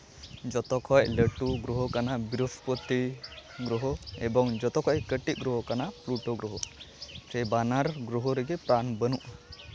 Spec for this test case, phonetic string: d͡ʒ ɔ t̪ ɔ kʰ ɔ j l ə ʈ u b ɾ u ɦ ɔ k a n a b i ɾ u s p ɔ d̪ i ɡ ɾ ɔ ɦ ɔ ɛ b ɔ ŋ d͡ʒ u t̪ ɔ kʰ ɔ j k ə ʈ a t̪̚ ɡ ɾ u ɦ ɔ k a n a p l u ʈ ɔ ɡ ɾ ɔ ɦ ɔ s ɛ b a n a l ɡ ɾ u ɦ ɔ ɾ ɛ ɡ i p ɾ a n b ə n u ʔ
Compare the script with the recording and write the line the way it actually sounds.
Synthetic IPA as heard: d͡ʒ ɔ t̪ ɔ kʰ ɔ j l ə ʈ u ɡ ɾ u ɦ ɔ k a n a b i ɾ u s p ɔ t̪ i ɡ ɾ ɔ ɦ ɔ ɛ b ɔ ŋ d͡ʒ ɔ t̪ ɔ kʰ ɔ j k ə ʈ i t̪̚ ɡ ɾ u ɦ ɔ k a n a p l u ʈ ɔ ɡ ɾ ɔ ɦ ɔ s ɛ b a n a ɾ ɡ ɾ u ɦ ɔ ɾ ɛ ɡ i p ɾ a n b ə n u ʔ